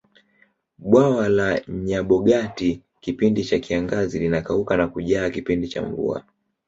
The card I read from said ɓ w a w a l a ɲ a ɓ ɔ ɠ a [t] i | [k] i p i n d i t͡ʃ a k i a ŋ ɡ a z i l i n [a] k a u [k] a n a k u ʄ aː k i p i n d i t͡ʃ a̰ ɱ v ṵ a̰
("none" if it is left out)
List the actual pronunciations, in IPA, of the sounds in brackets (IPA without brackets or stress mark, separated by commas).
t, k, a, k